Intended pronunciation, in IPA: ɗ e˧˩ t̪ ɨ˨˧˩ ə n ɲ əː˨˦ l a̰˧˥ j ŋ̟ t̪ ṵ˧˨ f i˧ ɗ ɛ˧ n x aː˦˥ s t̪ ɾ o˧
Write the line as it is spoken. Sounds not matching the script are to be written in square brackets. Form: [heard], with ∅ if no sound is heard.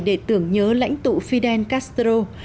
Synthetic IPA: ɗ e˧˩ t̪ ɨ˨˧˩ ə [ŋ] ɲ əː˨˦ l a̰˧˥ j ŋ̟ t̪ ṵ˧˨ f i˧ ɗ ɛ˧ n [k] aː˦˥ s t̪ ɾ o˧